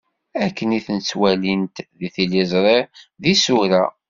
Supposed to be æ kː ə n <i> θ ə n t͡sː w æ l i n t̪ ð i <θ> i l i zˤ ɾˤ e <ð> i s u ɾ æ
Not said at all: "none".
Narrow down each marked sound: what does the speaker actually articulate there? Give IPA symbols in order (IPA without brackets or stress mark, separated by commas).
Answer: i, θ, ð